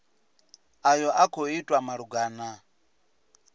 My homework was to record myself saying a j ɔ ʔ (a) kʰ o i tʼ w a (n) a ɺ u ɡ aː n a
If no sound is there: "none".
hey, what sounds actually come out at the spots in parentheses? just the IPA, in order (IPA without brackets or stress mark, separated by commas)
a, m